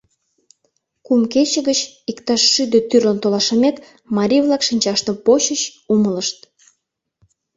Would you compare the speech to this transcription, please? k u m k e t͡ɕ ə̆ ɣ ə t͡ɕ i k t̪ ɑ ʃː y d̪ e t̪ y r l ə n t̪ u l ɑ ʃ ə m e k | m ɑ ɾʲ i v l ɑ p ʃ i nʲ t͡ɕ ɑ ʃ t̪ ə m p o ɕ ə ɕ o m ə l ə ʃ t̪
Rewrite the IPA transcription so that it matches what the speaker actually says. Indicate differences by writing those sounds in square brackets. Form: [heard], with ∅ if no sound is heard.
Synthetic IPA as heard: k u m k e t͡ɕ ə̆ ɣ ə t͡ɕ i k t̪ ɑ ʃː y d̪ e t̪ y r l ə n t̪ [o] l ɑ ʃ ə m e k | m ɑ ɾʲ i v l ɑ [k] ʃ i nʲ t͡ɕ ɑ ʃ t̪ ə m p o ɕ ə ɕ [u] m ə l ə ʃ t̪